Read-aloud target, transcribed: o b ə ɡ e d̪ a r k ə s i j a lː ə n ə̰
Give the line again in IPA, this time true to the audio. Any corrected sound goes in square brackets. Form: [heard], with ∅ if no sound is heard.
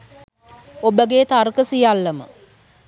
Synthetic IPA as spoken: o b ə ɡ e [t̪] a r k ə s i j a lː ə [m] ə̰